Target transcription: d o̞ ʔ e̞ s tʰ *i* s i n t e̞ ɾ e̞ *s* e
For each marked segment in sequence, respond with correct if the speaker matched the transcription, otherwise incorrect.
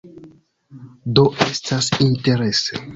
incorrect: a, correct

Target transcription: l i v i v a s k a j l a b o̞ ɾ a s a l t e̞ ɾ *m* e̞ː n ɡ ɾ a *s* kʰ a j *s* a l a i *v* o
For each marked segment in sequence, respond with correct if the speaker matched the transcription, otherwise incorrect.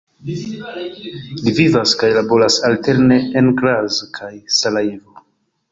incorrect: n, incorrect: z, correct, correct

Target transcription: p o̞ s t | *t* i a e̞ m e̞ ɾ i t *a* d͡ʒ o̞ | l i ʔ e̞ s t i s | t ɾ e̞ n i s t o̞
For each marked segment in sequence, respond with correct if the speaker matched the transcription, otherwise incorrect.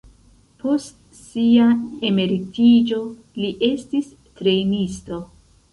incorrect: s, incorrect: i

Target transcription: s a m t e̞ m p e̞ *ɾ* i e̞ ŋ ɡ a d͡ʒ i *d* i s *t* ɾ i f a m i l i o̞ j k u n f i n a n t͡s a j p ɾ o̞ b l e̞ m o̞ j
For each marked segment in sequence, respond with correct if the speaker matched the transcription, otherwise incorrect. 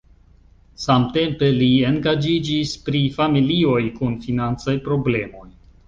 incorrect: l, incorrect: d͡ʒ, incorrect: p

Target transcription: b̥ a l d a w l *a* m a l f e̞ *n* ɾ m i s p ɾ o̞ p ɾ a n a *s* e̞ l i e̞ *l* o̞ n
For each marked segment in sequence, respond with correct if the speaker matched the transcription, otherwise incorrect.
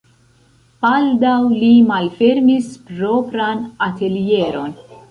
incorrect: i, incorrect: none, incorrect: t, incorrect: ɾ

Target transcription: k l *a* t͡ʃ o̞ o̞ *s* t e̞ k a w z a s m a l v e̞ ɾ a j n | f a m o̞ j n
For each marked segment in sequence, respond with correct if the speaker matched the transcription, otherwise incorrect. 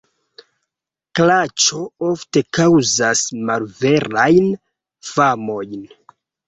correct, incorrect: f

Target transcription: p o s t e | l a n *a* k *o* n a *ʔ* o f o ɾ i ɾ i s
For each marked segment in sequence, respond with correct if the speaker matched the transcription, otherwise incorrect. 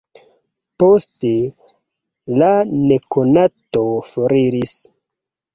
incorrect: e, correct, incorrect: t

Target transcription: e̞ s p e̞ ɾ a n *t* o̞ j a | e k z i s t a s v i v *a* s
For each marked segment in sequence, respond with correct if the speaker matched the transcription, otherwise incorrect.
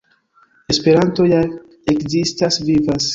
correct, correct

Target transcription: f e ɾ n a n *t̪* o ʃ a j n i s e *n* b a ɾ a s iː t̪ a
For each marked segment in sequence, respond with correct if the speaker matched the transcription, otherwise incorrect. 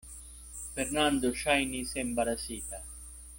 incorrect: d̪, incorrect: m

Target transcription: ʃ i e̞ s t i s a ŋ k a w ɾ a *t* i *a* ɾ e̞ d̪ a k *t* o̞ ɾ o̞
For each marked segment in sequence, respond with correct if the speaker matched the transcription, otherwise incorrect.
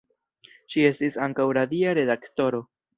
incorrect: d, correct, correct

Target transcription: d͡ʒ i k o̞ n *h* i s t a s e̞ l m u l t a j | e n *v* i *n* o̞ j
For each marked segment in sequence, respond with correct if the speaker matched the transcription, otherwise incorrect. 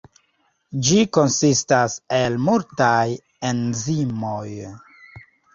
incorrect: s, incorrect: z, incorrect: m

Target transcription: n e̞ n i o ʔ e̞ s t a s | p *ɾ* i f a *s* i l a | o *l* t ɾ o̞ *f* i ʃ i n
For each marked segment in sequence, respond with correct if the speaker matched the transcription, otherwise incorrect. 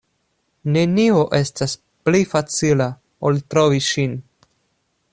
incorrect: l, incorrect: t͡s, correct, incorrect: v

